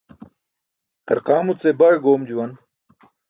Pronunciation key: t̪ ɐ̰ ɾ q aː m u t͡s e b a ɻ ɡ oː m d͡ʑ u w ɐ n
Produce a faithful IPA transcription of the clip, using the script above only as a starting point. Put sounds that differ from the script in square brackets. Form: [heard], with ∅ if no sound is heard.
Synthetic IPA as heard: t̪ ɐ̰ ɾ q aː m u t͡s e b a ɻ ɡ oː m d͡ʑ u w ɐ n